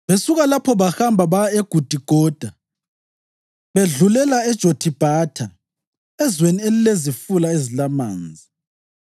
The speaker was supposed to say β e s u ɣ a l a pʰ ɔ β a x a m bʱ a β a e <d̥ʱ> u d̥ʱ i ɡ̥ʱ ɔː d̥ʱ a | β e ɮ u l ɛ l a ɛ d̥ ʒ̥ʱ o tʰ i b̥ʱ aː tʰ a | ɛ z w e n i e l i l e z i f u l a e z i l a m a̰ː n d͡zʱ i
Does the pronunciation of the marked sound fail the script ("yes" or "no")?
yes